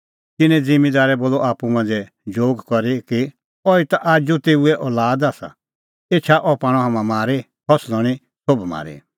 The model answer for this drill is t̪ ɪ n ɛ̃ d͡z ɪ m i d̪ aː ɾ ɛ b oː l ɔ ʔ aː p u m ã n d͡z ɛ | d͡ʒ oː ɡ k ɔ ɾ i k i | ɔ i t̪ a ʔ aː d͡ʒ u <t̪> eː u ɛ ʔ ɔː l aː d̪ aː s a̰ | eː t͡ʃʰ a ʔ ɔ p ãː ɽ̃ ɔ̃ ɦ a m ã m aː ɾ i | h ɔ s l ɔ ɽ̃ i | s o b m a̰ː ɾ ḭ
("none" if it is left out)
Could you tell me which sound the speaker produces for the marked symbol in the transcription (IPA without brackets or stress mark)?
t̪